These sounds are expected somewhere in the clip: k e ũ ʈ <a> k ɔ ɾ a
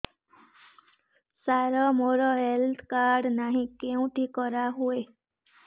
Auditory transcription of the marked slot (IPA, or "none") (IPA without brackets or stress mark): i